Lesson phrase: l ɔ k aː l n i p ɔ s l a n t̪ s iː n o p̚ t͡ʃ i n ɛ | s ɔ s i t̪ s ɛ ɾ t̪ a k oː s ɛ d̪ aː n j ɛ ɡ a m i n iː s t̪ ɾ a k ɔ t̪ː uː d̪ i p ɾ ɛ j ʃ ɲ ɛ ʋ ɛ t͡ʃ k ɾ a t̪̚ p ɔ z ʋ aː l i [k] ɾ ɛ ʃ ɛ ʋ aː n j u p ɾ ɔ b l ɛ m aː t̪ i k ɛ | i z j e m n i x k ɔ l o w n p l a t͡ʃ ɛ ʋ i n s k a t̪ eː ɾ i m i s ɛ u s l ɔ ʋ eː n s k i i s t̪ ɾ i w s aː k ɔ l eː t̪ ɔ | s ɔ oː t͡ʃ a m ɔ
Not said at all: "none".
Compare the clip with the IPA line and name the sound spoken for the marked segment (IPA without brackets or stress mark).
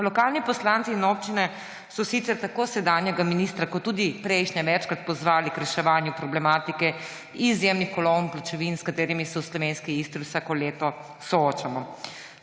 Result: k